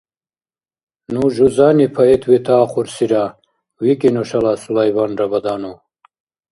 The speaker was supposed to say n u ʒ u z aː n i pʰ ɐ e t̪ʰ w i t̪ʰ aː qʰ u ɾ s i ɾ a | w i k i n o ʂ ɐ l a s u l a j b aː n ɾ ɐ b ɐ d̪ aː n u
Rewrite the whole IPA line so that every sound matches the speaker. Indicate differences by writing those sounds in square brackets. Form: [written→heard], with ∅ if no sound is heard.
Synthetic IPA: n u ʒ u z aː n i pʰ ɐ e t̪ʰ w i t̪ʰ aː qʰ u ɾ s i ɾ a | w i k i n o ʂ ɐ l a s u l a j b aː n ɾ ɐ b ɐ d̪ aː n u